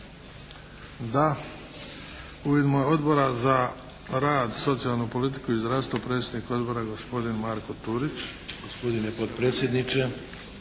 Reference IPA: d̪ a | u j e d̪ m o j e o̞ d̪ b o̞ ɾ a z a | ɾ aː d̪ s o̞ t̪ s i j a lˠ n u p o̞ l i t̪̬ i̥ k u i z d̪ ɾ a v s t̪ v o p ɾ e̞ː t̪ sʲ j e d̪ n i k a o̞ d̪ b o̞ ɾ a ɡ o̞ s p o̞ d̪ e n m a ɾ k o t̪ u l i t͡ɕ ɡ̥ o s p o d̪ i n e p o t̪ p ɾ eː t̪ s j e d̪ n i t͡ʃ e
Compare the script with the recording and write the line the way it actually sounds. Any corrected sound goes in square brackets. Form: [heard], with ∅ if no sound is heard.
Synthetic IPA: d̪ a | u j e d̪ m o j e o̞ d̪ b o̞ ɾ a z a | ɾ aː d̪ s o̞ t̪ s i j a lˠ n u p o̞ l i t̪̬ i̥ k u i z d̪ ɾ a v s t̪ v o p ɾ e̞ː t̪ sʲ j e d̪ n i k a o̞ d̪ b o̞ ɾ a ɡ o̞ s p o̞ d̪ [i] n m a ɾ k o t̪ u [ɾ] i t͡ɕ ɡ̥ o s p o d̪ i n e p o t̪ p ɾ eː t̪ s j e d̪ n i t͡ʃ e